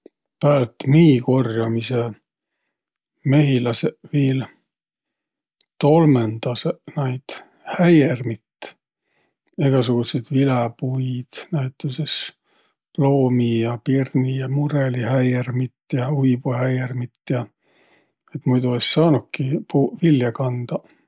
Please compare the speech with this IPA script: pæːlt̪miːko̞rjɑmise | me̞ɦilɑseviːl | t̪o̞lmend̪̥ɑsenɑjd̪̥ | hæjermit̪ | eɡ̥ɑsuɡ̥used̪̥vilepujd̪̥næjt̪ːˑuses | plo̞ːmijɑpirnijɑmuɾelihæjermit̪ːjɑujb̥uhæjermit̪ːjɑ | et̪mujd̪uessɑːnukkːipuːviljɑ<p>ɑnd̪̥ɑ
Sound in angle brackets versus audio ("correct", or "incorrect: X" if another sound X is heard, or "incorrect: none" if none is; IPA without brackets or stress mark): incorrect: k